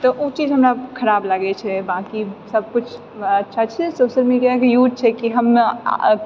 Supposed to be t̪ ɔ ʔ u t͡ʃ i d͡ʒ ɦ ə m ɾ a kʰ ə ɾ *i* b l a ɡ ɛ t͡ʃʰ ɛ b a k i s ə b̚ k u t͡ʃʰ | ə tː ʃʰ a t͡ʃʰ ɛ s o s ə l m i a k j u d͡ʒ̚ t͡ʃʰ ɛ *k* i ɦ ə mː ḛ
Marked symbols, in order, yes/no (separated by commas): no, yes